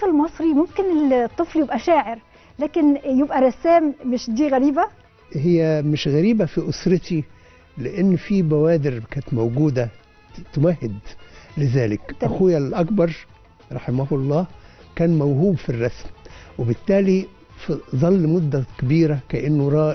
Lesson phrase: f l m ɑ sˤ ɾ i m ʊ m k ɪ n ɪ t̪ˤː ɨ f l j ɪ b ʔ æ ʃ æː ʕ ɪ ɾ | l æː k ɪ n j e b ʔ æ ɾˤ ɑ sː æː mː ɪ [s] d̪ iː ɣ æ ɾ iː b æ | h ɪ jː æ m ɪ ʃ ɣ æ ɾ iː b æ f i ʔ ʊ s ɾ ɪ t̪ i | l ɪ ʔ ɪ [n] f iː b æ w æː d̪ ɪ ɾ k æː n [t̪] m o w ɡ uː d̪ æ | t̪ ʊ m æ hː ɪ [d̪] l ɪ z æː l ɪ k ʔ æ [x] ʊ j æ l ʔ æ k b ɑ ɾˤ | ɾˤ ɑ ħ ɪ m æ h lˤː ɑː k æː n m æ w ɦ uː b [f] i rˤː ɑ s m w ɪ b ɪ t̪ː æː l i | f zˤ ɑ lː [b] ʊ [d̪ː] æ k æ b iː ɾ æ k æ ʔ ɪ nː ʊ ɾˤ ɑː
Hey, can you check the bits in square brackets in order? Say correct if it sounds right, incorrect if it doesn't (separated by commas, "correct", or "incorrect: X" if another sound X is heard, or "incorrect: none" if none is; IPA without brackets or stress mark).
incorrect: ʃ, incorrect: nː, correct, correct, correct, correct, incorrect: m, correct